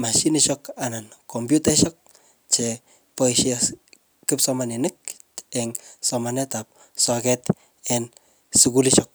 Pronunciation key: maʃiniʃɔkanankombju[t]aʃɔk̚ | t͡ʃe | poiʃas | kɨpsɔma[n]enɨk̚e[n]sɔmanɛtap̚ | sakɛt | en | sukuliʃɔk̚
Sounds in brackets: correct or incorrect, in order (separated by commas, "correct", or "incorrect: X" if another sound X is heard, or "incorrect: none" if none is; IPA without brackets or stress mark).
correct, correct, incorrect: ŋ